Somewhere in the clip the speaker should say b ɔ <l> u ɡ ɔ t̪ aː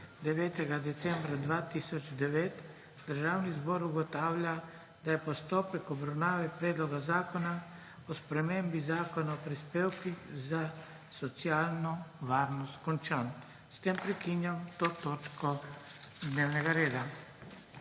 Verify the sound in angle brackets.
incorrect: ɾ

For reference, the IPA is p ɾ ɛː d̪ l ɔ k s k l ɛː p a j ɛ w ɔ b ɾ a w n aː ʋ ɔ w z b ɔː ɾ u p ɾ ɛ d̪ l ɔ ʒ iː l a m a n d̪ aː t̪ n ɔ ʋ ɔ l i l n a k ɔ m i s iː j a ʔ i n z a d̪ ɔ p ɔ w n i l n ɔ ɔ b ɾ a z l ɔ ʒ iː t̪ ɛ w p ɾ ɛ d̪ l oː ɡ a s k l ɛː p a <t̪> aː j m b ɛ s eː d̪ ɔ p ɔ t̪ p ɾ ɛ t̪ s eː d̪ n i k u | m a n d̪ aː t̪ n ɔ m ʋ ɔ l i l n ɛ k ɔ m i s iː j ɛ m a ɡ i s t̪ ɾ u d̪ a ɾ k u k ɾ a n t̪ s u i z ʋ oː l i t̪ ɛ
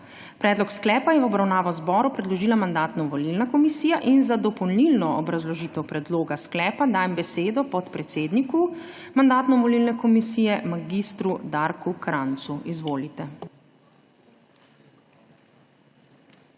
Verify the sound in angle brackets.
incorrect: d̪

